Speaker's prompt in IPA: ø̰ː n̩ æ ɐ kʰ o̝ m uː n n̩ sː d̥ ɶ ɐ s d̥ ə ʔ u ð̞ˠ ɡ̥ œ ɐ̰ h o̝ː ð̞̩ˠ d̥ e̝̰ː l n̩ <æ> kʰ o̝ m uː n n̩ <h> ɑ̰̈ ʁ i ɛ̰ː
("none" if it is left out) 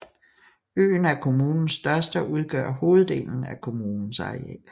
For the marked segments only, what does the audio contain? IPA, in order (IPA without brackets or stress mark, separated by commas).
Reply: æ, s